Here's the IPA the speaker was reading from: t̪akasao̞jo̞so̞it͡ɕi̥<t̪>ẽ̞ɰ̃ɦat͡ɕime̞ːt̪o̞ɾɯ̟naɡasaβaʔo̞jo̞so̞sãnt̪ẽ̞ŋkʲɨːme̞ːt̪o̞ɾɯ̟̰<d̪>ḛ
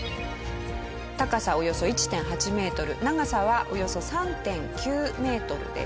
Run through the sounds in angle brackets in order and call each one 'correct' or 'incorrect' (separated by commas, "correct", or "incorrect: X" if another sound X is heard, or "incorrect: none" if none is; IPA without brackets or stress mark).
correct, correct